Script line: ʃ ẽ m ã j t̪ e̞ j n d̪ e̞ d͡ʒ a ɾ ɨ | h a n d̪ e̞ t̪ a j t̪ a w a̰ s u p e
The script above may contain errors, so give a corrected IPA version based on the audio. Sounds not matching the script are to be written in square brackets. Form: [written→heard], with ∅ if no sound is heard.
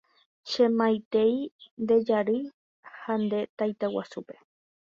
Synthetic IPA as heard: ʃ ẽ m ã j t̪ e̞ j n d̪ e̞ d͡ʒ a ɾ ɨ | h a n d̪ e̞ t̪ a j t̪ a w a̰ s u p e